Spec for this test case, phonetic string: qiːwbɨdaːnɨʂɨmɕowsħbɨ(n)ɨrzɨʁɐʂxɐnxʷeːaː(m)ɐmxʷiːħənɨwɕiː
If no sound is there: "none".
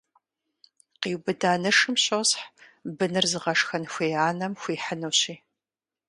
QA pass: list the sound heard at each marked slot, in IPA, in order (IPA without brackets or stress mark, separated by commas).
n, n